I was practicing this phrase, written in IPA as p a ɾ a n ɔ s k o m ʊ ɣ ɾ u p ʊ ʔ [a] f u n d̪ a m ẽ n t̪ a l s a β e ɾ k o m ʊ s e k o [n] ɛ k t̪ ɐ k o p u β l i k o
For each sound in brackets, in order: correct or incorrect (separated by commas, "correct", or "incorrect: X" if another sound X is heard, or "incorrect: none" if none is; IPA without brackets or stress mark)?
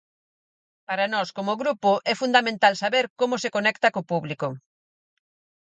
incorrect: ɛ, correct